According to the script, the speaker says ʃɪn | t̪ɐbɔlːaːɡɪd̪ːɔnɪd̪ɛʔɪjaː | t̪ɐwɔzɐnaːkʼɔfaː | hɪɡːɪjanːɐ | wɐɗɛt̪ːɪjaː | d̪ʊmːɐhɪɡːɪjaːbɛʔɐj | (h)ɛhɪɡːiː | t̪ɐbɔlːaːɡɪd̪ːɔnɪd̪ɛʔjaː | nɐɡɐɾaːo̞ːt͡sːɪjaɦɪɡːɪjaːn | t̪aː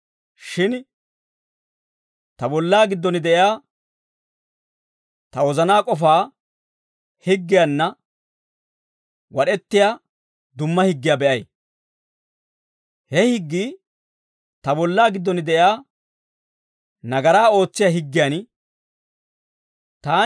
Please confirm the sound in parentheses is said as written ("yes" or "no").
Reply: yes